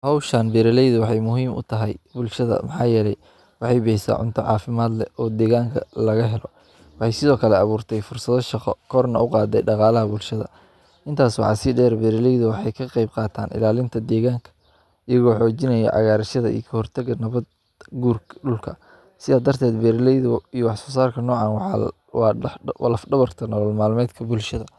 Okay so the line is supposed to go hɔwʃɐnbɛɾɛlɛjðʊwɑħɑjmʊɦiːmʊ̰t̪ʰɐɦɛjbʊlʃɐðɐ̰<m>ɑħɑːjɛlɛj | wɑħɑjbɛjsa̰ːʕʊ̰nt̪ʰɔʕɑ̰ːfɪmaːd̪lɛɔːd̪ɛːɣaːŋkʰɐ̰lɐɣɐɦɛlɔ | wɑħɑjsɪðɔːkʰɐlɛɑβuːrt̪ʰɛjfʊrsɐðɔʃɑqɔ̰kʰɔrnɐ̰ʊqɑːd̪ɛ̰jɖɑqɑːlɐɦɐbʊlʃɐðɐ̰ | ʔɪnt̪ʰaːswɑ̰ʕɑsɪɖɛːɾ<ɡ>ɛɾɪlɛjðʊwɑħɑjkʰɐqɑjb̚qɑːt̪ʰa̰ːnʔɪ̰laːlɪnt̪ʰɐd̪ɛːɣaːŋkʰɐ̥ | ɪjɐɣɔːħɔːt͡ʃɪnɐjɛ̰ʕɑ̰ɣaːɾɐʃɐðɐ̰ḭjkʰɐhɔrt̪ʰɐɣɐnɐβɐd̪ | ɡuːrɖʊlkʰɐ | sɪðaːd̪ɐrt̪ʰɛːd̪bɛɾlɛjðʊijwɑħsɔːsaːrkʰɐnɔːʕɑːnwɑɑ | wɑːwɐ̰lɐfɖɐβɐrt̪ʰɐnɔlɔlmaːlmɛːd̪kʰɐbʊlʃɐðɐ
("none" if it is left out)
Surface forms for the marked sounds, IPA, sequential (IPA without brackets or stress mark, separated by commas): m, b